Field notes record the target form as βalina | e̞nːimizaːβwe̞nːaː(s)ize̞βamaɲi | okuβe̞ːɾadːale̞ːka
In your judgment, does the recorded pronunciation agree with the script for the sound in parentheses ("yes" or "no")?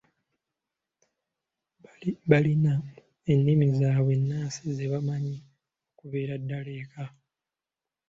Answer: yes